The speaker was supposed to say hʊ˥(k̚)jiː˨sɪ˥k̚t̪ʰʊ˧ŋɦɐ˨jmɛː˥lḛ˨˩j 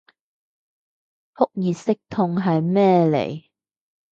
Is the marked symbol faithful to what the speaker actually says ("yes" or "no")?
yes